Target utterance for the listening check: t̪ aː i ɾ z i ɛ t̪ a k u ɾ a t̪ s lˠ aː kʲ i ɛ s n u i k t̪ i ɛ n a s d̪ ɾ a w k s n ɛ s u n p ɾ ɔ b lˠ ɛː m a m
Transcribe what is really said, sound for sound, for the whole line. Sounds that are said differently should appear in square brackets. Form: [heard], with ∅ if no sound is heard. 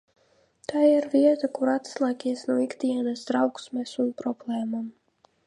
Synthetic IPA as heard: t̪ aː i ɾ [v] i ɛ t̪ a k u ɾ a t̪ s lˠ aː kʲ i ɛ s n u i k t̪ i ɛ n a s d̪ ɾ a w k s [m] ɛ s u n p ɾ ɔ b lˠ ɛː m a m